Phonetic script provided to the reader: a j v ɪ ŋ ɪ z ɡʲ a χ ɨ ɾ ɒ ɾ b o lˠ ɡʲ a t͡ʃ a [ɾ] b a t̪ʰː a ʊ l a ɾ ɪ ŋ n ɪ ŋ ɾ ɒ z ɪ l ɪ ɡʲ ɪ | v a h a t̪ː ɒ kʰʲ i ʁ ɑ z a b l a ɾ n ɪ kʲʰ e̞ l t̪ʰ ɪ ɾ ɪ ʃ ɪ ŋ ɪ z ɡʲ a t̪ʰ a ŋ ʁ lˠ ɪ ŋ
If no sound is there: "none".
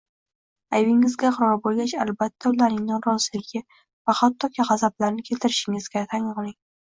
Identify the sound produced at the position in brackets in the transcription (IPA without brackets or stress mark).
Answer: l